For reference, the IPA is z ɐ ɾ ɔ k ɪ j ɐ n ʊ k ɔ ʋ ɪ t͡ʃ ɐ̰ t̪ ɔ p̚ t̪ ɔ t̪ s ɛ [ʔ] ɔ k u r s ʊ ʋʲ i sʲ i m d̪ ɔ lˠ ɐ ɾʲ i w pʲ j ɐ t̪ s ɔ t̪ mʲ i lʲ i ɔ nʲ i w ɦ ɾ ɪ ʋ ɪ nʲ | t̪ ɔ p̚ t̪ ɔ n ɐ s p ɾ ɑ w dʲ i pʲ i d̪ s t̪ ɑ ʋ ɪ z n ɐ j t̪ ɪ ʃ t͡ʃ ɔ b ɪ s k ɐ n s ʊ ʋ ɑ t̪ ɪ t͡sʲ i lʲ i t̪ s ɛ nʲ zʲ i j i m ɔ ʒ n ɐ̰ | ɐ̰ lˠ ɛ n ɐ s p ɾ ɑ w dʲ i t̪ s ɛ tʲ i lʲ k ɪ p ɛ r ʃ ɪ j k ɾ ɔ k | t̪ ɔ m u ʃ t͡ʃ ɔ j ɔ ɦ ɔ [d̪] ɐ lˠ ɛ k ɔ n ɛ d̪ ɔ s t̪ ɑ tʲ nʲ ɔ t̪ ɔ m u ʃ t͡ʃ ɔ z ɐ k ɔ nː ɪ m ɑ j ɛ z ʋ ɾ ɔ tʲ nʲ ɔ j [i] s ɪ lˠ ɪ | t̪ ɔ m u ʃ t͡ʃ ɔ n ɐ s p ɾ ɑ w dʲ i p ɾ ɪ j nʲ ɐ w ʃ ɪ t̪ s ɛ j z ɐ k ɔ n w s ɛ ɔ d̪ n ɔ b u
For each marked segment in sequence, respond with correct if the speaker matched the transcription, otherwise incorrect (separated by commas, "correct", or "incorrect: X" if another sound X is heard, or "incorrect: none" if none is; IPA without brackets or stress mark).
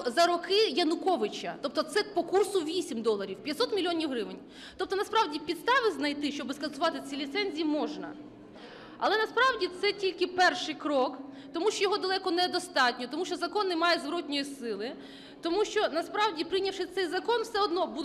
incorrect: p, correct, correct